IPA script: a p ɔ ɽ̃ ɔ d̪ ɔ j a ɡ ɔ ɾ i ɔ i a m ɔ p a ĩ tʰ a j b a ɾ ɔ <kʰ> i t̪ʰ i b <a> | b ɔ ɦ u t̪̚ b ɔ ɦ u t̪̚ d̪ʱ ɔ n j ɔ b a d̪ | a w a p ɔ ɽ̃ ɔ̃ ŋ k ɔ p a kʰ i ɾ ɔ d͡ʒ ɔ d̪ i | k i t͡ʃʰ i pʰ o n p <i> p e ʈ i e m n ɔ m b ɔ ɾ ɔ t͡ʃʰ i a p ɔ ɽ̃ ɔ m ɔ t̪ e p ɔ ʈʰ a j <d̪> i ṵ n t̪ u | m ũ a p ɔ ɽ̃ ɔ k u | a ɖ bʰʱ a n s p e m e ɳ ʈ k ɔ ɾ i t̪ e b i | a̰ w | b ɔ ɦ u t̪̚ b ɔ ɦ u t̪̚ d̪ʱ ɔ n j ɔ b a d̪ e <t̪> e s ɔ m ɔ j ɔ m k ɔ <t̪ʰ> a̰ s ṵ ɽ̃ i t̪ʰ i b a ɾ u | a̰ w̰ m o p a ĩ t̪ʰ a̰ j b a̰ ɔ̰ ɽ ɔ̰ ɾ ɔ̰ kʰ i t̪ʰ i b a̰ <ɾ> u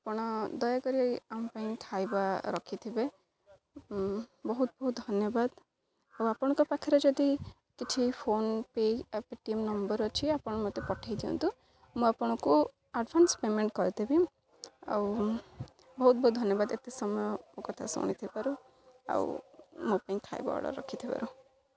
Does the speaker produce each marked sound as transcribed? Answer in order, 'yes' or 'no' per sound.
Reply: yes, no, no, yes, yes, yes, yes

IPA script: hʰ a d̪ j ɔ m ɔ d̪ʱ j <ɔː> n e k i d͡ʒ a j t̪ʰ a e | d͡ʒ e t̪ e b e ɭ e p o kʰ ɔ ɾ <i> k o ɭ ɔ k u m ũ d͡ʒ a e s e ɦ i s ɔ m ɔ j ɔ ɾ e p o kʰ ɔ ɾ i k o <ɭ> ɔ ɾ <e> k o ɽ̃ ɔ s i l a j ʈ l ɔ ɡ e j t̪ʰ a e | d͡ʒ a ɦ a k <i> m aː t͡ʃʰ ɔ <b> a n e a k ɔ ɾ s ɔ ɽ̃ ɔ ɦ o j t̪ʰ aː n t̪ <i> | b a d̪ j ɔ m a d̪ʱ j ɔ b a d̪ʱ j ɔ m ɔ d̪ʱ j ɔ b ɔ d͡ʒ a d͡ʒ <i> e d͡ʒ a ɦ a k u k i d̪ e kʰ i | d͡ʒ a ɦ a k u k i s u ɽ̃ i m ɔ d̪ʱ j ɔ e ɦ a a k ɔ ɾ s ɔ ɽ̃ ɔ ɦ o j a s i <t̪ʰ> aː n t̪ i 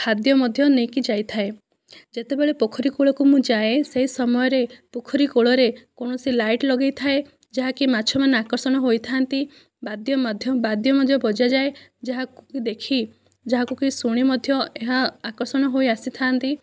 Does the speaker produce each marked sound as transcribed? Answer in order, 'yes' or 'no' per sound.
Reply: no, yes, yes, yes, yes, no, yes, no, yes

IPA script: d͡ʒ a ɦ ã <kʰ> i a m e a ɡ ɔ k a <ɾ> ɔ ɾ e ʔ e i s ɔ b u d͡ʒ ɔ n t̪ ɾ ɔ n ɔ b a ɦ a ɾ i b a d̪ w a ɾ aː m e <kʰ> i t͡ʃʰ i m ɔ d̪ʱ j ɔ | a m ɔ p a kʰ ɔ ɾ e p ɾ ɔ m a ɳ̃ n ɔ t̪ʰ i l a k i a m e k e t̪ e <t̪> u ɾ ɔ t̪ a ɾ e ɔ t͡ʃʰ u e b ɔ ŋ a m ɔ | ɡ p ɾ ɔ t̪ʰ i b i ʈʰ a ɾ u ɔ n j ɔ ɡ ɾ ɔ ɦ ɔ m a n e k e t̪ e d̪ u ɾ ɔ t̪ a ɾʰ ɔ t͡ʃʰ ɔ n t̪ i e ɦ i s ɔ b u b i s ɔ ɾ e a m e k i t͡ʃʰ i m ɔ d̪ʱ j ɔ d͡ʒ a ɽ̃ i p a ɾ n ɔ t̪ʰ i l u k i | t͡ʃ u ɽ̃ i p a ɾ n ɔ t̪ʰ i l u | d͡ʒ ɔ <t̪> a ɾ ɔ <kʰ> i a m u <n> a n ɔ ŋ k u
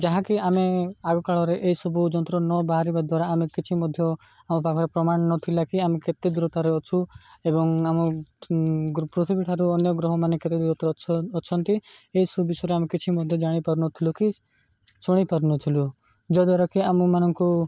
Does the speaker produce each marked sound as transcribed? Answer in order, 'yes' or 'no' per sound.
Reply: no, no, no, no, no, no, no

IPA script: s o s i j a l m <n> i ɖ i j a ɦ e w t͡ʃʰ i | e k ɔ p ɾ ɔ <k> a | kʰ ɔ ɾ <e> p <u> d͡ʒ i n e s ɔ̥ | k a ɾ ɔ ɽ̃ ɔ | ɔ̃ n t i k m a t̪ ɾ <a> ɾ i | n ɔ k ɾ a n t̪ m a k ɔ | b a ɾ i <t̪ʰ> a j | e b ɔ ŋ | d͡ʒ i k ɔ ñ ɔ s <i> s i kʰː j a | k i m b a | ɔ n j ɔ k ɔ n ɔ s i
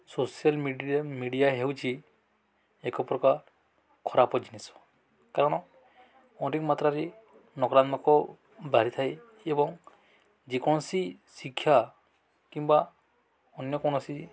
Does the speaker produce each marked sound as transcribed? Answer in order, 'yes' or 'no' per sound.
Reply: no, yes, no, no, yes, yes, yes

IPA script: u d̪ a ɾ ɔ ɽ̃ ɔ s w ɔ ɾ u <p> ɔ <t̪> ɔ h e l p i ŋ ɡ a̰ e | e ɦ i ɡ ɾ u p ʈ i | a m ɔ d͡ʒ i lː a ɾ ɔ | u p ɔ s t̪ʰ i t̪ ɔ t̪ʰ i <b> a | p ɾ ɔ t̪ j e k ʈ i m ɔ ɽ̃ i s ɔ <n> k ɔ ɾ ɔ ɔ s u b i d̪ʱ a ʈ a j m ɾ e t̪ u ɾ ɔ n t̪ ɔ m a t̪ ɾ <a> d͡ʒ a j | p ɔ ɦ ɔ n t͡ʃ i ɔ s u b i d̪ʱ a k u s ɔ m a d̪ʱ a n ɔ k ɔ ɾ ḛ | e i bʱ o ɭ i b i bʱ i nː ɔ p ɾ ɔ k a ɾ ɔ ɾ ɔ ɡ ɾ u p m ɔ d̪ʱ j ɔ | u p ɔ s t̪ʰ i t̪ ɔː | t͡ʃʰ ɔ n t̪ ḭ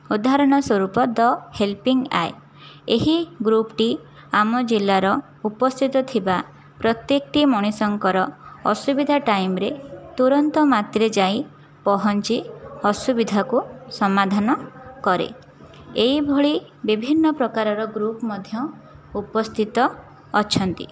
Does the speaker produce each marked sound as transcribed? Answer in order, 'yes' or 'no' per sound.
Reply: yes, no, yes, no, no

